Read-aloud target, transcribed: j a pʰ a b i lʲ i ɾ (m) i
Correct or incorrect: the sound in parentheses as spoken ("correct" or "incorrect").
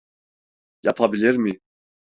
correct